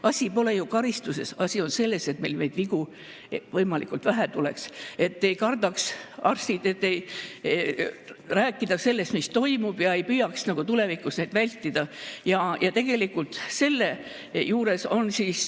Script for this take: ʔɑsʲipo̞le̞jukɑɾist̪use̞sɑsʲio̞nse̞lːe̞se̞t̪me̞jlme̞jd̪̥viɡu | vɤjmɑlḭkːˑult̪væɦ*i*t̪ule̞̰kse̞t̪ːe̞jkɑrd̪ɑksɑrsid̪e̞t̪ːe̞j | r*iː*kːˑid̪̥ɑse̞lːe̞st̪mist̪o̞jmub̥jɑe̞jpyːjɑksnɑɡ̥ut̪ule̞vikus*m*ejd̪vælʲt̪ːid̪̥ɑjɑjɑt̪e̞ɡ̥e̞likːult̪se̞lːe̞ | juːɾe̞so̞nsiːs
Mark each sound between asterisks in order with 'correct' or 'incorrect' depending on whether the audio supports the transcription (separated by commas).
incorrect, incorrect, incorrect